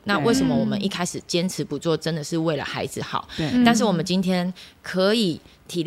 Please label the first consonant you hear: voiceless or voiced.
voiced